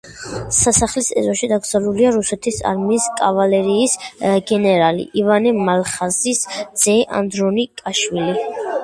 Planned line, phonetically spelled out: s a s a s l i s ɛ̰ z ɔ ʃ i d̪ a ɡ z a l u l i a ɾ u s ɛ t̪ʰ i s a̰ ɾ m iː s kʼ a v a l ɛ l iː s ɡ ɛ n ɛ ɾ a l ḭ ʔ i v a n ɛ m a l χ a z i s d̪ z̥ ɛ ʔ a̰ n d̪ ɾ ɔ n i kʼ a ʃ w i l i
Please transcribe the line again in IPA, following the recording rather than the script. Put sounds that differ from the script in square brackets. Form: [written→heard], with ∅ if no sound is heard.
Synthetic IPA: s a s a [s→χ] l i s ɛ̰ z ɔ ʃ i d̪ a ɡ z a l u l i a ɾ u s ɛ t̪ʰ i s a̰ ɾ m iː s kʼ a v a l ɛ [l→ɾ] iː s ɡ ɛ n ɛ ɾ a l ḭ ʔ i v a n ɛ m a l χ a z i s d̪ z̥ ɛ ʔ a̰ n d̪ ɾ ɔ n i kʼ a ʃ w i l i